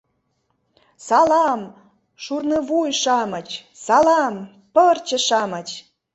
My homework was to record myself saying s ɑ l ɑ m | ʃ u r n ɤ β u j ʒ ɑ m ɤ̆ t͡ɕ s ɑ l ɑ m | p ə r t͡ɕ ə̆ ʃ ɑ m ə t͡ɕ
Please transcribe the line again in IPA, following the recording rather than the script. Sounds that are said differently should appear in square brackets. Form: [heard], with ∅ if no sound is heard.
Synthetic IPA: s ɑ l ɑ m | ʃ u r n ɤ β u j [ʃ] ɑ m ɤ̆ t͡ɕ s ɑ l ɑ m | p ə r t͡ɕ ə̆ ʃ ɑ m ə t͡ɕ